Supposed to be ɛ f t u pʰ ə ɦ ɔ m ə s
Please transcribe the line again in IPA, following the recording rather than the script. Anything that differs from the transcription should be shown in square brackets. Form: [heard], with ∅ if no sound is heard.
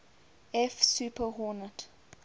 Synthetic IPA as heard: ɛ f [s] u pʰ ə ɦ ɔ [n] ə [t]